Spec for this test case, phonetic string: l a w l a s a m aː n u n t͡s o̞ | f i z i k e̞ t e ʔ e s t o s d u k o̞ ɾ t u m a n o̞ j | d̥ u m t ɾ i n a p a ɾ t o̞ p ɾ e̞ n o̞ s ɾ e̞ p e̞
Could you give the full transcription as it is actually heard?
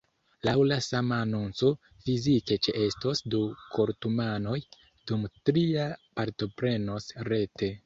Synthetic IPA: l a w l a s a m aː n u n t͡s o̞ | f i z i k e̞ t͡ʃ e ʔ e s t o s d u k o̞ ɾ t u m a n o̞ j | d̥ u m t ɾ i a p a ɾ t o̞ p ɾ e̞ n o̞ s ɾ e̞ t e̞